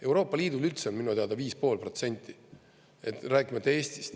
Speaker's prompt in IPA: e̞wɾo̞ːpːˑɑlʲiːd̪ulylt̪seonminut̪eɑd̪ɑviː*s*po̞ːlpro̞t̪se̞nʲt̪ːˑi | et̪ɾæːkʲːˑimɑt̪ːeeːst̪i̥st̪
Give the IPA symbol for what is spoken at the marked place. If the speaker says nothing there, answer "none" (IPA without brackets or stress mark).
s